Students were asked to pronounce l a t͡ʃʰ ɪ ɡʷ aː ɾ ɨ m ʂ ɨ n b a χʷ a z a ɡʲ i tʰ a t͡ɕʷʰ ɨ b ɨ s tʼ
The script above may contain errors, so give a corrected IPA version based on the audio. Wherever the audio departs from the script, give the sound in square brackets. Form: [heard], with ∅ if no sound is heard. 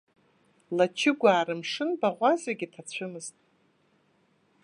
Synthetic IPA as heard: l a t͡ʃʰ ɪ ɡʷ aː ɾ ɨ m ʂ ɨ n b a [ʁʷ] a z a ɡʲ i tʰ a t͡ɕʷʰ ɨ [m] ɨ [z] tʼ